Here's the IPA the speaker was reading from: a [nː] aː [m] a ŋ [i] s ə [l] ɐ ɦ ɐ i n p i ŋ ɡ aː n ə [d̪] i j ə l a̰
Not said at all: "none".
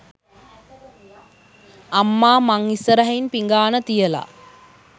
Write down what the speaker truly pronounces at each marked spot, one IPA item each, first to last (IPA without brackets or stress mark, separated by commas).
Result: mː, m, i, ɾ, t̪